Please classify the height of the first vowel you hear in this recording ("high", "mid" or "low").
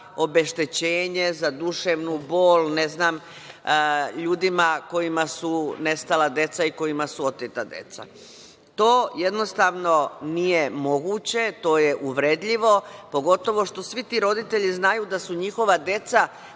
mid